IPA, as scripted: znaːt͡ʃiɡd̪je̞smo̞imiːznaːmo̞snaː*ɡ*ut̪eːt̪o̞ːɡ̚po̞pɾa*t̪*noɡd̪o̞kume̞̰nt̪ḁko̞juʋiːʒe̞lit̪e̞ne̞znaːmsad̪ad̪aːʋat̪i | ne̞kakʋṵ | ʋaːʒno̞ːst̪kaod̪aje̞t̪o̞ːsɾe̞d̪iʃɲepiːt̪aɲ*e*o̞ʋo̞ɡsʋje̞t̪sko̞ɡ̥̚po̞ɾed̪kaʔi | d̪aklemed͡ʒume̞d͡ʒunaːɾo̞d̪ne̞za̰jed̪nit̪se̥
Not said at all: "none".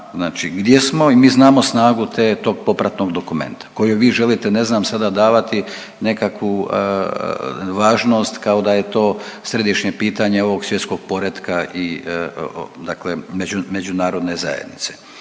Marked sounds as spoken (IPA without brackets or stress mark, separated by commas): ɡ, t̪, e